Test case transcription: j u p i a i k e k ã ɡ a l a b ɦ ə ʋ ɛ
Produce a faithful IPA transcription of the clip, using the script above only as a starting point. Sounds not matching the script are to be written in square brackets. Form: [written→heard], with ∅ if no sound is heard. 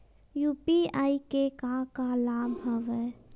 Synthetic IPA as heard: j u p i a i k e k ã [ɡ→k] a l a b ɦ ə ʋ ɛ